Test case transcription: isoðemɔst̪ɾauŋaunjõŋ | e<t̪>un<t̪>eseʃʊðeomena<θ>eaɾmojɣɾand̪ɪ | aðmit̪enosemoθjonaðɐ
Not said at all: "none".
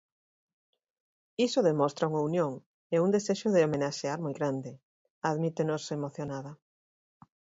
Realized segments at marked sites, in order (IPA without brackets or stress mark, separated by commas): none, d̪, ʃ